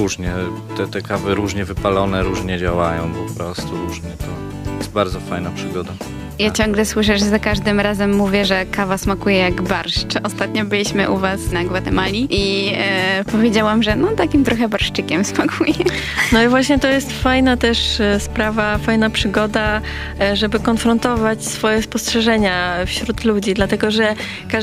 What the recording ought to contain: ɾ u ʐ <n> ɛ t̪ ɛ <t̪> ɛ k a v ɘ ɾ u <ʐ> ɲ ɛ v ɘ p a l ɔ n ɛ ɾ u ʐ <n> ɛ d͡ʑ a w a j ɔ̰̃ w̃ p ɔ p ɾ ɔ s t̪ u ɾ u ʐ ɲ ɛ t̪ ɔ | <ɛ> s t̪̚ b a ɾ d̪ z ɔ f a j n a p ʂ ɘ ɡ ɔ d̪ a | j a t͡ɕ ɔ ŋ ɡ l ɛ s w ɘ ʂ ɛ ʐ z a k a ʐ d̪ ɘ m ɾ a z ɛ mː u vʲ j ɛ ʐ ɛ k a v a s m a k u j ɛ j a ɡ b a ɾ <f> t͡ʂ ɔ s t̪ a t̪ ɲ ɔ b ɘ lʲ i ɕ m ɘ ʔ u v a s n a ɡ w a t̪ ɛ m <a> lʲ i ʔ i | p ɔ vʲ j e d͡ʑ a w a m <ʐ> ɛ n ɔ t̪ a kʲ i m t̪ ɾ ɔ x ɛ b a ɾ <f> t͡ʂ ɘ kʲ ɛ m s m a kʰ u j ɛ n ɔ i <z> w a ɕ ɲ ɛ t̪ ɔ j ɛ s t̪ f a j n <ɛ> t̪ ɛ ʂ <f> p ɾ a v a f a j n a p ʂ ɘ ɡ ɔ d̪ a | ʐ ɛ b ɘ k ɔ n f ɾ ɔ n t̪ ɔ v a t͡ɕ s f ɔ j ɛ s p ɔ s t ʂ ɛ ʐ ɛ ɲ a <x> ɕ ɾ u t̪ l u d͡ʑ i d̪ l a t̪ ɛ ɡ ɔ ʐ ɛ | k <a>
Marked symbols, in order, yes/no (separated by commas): no, yes, yes, no, yes, no, yes, yes, no, no, no, no, no, yes